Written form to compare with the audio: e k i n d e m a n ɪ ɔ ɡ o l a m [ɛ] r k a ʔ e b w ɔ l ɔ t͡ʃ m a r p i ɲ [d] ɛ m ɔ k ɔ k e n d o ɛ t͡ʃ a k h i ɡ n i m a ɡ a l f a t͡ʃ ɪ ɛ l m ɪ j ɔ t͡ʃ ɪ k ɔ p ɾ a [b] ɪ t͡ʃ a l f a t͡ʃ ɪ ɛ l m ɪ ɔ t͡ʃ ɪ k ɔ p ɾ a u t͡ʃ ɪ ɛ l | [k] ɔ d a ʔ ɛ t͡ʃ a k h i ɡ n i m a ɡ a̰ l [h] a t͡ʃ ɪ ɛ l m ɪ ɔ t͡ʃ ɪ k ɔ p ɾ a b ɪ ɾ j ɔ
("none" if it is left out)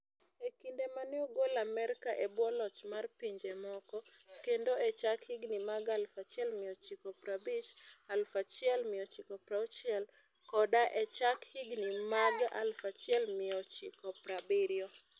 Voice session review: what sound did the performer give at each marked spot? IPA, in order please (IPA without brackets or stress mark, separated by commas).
ɛ, d͡ʒ, b, k, f